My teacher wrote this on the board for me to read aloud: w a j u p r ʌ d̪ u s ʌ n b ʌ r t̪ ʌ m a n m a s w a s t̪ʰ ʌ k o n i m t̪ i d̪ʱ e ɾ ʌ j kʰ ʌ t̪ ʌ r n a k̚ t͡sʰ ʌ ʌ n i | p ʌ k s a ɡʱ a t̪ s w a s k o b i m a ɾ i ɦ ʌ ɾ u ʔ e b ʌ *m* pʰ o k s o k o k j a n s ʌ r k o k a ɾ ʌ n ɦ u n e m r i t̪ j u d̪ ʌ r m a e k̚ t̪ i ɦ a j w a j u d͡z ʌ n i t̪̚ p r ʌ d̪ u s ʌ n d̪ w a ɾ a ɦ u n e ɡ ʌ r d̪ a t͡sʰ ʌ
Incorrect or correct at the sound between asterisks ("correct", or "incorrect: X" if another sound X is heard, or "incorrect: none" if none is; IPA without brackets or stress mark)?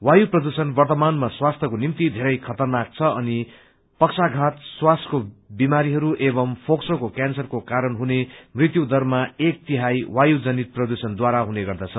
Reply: correct